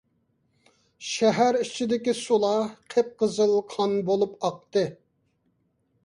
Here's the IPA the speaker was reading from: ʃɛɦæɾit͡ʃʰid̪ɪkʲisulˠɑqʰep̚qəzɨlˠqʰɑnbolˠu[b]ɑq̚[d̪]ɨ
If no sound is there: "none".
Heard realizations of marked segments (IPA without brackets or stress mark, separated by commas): p, t̪